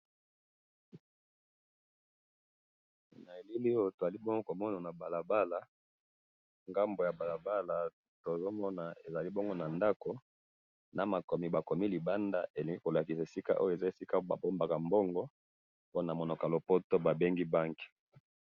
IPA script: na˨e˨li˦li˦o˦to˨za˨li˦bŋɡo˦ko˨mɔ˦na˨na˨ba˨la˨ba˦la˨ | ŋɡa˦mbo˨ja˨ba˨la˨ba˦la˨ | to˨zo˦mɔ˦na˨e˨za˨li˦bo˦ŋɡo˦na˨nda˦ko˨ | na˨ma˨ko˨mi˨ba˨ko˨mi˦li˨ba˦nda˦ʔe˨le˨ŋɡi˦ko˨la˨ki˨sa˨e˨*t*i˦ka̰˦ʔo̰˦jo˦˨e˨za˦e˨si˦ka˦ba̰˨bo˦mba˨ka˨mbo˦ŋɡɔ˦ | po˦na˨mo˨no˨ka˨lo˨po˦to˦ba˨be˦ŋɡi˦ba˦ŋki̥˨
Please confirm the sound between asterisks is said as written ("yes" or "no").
no